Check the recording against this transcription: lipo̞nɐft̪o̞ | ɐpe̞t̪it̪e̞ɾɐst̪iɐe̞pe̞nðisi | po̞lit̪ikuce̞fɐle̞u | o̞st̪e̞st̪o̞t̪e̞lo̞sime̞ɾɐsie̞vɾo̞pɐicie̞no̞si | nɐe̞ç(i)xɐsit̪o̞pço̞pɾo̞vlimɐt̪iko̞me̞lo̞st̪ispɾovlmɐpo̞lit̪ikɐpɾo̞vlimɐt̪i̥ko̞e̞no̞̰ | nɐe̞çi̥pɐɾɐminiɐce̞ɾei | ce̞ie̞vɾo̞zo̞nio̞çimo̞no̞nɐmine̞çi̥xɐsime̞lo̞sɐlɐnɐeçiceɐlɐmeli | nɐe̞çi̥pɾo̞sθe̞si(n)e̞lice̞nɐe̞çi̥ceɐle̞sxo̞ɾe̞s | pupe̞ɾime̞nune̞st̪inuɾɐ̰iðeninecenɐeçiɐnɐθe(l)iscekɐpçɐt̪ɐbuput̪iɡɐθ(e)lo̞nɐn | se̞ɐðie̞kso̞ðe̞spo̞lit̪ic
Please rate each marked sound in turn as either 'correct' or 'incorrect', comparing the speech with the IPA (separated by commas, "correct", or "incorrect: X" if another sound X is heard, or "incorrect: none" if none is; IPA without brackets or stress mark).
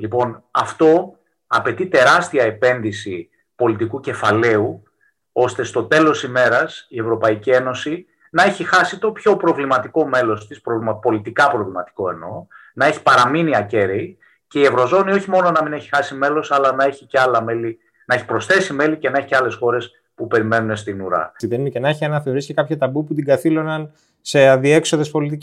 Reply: correct, incorrect: m, incorrect: ɾ, incorrect: i